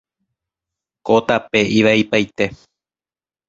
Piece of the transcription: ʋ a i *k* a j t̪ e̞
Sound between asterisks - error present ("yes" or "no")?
yes